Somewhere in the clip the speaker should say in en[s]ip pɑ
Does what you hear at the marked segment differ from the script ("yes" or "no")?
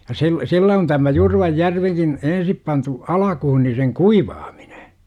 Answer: no